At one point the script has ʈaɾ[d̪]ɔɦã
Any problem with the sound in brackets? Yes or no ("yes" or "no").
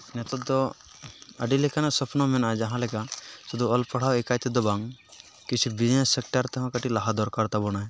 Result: yes